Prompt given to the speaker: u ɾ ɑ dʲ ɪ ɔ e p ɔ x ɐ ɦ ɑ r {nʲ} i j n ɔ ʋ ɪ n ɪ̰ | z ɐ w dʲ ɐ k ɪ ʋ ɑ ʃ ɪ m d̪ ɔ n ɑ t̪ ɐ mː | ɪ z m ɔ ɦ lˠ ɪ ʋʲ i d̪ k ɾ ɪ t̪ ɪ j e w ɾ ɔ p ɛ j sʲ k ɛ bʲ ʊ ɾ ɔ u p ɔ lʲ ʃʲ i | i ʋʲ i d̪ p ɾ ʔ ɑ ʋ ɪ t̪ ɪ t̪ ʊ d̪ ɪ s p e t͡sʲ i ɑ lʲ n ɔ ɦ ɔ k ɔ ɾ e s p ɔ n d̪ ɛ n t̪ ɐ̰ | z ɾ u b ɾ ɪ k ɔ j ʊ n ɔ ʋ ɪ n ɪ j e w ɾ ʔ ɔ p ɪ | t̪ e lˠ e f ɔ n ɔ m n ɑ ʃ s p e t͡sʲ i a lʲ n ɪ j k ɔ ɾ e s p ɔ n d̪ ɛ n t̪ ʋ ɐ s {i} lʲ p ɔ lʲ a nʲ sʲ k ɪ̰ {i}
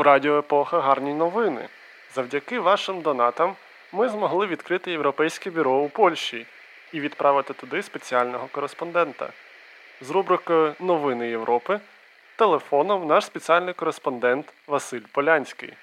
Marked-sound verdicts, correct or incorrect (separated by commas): correct, incorrect, incorrect